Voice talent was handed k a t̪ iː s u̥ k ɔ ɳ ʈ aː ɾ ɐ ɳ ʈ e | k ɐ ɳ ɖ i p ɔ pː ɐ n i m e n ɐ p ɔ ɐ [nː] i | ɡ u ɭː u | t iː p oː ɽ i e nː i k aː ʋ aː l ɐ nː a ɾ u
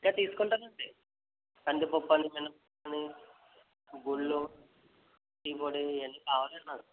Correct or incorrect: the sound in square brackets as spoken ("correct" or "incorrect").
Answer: incorrect